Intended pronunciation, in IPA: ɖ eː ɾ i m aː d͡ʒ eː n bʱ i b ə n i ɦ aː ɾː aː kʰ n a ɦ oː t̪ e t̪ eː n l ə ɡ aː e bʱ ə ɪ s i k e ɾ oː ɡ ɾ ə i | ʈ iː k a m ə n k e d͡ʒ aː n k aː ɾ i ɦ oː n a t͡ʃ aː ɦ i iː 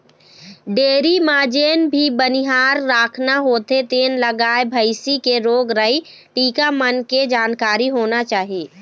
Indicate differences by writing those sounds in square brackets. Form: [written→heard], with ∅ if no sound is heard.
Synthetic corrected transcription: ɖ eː ɾ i m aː d͡ʒ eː n bʱ i b ə n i ɦ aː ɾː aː kʰ n a ɦ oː t̪ e t̪ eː n l ə ɡ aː e bʱ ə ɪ s i k e ɾ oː ɡ ɾ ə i | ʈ iː k a m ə n k e d͡ʒ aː n k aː ɾ i ɦ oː n a t͡ʃ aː ɦ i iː